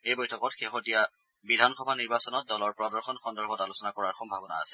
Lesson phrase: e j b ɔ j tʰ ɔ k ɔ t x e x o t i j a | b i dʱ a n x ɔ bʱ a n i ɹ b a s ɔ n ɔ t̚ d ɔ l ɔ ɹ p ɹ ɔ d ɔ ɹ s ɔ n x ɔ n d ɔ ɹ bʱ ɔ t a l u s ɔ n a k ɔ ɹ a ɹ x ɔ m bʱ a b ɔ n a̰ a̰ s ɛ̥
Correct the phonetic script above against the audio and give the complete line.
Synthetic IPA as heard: e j b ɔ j tʰ ɔ k ɔ t x e x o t i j a | b i dʱ a n x ɔ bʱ a n i ɹ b a s ɔ n ɔ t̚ d ɔ l ɔ ɹ p ɹ ɔ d ɔ ɹ x ɔ n x ɔ n d ɔ ɹ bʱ ɔ t a l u s ɔ n a k ɔ ɹ a ɹ x ɔ m bʱ a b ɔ n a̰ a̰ s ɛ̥